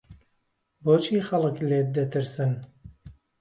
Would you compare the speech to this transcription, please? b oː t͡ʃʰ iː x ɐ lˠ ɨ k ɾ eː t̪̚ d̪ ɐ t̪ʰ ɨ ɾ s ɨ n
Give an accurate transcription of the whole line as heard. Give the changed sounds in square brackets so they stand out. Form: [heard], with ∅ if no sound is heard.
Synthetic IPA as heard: b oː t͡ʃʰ iː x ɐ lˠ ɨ k [l] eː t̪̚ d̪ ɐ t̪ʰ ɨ ɾ s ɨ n